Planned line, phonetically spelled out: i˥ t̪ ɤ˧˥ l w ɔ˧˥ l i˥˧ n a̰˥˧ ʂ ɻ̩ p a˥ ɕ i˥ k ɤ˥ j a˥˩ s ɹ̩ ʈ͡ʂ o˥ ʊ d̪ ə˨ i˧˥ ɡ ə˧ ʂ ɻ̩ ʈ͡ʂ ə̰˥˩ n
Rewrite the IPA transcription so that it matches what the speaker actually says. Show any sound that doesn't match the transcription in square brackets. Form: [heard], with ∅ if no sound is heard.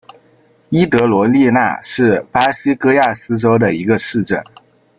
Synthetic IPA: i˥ t̪ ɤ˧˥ l w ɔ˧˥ l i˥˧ n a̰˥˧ ʂ ɻ̩ p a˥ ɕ i˥ k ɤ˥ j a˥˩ s ɹ̩ ʈ͡ʂ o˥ ʊ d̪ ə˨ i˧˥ ɡ ə˧ ʂ ɻ̩ ʈ͡ʂ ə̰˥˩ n